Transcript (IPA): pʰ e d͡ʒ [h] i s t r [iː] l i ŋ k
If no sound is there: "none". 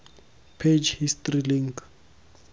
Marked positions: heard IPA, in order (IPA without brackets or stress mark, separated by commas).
h, i